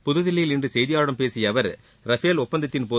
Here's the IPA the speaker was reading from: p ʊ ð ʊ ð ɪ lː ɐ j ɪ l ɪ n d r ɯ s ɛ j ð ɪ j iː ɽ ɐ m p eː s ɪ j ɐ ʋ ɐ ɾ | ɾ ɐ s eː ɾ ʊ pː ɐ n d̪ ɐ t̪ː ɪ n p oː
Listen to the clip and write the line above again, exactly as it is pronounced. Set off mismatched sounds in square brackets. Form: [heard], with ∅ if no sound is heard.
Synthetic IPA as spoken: p ʊ ð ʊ ð ɪ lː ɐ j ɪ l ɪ n d r ɯ s ɛ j ð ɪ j [aː] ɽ ɐ m p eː s ɪ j ɐ ʋ ɐ ɾ | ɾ ɐ [f] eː [l] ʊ pː ɐ n d̪ ɐ t̪ː ɪ n p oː